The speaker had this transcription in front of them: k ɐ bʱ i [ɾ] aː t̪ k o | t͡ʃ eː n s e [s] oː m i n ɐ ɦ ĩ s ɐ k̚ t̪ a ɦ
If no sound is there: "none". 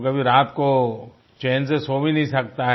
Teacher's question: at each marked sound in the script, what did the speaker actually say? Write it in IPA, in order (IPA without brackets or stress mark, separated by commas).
ɾ, s